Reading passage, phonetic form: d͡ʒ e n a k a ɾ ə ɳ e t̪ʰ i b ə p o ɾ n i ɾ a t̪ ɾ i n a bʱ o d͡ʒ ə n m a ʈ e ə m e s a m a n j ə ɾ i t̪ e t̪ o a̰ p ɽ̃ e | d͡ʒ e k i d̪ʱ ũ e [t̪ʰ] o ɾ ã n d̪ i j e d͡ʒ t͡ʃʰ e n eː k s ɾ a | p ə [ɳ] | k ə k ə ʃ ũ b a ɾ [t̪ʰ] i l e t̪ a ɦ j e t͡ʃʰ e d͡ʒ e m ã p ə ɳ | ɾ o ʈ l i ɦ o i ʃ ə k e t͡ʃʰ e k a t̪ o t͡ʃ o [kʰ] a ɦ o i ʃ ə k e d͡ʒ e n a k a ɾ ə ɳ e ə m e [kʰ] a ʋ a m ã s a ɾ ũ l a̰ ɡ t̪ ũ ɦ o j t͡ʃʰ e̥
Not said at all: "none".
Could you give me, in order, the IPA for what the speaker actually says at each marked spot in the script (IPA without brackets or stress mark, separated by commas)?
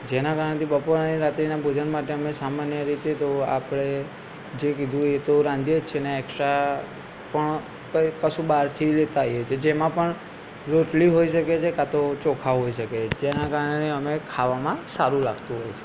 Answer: t̪, ɳ, t̪ʰ, kʰ, kʰ